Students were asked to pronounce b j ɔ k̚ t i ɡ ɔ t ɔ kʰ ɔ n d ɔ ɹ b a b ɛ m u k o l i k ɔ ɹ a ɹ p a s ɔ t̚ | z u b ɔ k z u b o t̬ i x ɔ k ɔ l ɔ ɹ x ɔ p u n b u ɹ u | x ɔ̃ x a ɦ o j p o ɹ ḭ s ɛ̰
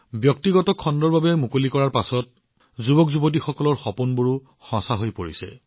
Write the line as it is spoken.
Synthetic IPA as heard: b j ɔ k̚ t i ɡ ɔ t ɔ kʰ ɔ n d ɔ ɹ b a b ɛ m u k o l i k ɔ ɹ a ɹ p a s ɔ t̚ | z u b ɔ k z u b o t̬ i x ɔ k ɔ l ɔ ɹ x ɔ p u n b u ɹ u | x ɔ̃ s a ɦ o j p o ɹ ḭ s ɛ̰